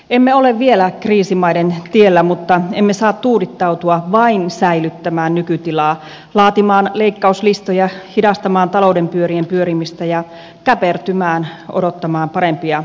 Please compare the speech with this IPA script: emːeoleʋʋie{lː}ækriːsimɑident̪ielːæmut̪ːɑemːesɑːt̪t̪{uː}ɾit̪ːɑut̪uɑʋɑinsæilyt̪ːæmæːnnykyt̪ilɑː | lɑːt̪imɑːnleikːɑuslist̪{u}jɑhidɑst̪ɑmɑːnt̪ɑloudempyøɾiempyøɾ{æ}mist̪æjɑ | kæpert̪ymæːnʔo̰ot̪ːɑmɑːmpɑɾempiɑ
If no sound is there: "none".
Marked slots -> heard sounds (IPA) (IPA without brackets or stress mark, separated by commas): l, uː, o, i